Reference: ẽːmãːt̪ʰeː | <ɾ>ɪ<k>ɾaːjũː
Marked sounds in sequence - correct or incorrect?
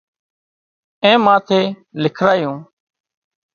incorrect: l, incorrect: kʰ

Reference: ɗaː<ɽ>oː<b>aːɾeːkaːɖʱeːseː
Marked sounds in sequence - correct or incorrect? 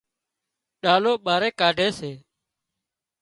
incorrect: l, incorrect: ɓ

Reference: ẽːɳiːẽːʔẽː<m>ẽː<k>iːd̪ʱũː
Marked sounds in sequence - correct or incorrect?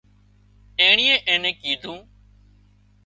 incorrect: n, correct

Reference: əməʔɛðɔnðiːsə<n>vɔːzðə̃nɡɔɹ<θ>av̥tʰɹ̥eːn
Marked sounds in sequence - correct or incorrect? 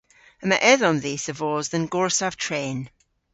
incorrect: none, incorrect: s

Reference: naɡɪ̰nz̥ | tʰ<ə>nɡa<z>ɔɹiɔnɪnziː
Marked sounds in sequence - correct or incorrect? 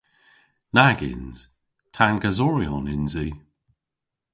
incorrect: a, correct

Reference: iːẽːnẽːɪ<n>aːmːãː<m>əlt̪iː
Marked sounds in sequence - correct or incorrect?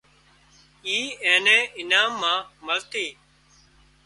correct, correct

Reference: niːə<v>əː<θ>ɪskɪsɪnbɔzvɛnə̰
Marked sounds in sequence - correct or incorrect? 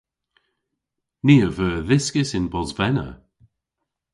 correct, incorrect: ð

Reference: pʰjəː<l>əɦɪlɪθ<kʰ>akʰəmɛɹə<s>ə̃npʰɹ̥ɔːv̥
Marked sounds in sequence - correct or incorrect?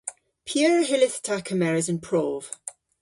incorrect: ɹ, incorrect: tʰ, incorrect: z

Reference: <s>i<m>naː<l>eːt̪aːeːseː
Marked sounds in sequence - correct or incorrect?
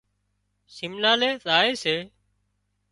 correct, correct, correct

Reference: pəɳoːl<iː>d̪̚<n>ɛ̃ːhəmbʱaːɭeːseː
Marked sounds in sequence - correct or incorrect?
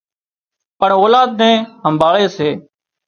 incorrect: aː, correct

